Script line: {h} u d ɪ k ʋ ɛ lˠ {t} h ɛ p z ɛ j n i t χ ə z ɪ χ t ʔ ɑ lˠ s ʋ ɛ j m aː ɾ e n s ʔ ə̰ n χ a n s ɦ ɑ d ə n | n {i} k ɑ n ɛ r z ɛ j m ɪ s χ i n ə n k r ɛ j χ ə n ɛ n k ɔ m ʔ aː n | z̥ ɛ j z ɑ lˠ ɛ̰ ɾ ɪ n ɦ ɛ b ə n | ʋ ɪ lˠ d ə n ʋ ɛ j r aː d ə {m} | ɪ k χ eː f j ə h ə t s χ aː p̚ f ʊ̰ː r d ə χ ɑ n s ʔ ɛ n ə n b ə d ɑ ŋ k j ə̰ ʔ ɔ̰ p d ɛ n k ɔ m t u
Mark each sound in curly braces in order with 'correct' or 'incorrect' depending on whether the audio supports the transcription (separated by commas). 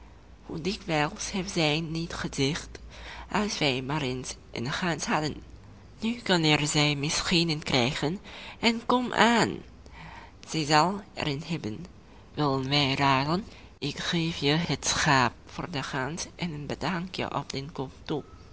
correct, incorrect, incorrect, incorrect